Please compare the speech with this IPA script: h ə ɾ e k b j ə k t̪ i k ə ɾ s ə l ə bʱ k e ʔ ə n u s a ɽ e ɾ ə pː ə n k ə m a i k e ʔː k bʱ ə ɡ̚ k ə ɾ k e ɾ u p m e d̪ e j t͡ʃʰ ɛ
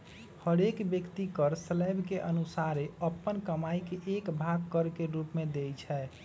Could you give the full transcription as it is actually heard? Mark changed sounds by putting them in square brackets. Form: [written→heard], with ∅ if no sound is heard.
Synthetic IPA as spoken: h ə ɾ e k b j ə k t̪ i k ə ɾ s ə l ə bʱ k e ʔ ə n u s a [ɽ→ɾ] e [ɾ→∅] ə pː ə n k ə m a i k e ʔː k bʱ [ə→a] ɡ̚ k ə ɾ k e ɾ u p m e d̪ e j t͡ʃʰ ɛ